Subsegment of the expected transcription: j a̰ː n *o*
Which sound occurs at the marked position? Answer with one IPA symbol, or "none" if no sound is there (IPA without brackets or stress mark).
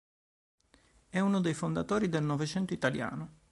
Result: o